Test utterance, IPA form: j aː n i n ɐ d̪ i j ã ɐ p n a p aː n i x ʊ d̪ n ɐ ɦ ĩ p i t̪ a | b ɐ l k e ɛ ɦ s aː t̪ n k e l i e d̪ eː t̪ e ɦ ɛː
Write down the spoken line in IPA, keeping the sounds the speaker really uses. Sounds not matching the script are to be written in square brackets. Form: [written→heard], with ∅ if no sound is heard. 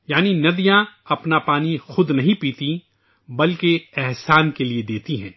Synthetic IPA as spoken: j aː n i n ɐ d̪ i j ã ɐ p n a p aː n i x ʊ d̪ n ɐ ɦ ĩ p [i→iː] t̪ [a→i] | b ɐ l k e ɛ ɦ s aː [t̪→∅] n k e l i e d̪ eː t̪ [e→i] ɦ [ɛː→ɛ̃ː]